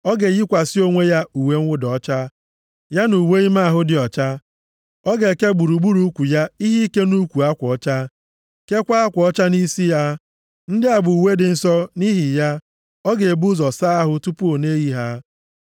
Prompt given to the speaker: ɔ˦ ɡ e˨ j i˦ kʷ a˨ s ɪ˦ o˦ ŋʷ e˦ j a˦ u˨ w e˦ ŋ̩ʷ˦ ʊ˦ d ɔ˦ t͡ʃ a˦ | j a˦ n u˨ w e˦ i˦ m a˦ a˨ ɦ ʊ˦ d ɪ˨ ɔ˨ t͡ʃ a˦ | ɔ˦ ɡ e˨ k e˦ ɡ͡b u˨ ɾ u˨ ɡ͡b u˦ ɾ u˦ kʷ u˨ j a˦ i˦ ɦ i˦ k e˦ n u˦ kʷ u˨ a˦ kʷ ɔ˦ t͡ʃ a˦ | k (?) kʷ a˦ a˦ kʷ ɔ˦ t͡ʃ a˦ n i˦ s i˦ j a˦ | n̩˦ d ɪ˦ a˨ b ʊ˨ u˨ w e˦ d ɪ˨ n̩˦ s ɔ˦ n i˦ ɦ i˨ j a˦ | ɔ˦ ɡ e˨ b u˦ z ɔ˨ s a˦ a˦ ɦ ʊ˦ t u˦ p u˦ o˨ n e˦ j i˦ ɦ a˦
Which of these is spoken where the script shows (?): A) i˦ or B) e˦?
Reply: B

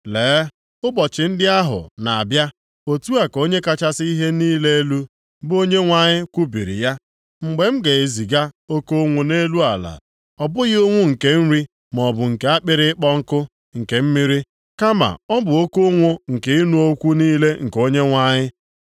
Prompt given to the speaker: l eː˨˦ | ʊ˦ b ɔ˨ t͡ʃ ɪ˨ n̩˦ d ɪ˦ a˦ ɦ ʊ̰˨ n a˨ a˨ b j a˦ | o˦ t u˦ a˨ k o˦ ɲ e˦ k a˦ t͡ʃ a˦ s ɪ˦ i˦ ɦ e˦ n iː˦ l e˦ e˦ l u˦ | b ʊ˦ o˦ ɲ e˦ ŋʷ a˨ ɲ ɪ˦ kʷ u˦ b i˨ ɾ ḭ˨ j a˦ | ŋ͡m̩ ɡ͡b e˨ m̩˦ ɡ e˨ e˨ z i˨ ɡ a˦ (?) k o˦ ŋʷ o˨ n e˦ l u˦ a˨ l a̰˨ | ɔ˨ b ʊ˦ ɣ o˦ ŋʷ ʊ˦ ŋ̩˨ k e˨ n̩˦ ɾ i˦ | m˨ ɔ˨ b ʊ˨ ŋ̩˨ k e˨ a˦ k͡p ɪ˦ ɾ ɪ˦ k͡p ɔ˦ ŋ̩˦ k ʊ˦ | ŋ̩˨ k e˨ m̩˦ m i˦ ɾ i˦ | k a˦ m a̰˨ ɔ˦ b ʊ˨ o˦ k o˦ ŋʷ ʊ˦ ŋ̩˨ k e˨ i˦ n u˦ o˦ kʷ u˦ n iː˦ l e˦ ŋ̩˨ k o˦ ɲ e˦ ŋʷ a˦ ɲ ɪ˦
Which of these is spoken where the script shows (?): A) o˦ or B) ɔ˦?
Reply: A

